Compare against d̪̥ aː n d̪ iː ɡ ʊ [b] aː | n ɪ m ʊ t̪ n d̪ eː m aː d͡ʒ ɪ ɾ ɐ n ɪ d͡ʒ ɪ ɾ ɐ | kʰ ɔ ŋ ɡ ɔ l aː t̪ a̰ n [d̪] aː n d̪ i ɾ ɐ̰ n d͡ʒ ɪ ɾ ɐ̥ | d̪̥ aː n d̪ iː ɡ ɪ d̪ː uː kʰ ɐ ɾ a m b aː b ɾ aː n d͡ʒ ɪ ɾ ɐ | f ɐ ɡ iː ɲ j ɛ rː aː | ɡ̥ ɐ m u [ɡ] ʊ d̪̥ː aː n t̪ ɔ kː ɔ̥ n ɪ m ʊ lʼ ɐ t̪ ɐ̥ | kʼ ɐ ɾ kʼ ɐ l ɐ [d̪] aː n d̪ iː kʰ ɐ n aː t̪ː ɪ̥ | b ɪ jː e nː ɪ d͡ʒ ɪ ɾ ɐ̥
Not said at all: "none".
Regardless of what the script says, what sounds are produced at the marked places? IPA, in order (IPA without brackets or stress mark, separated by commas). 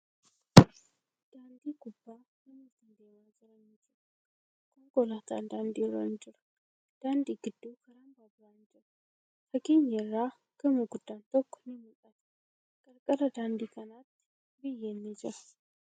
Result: bː, d̪, ɡ, d̪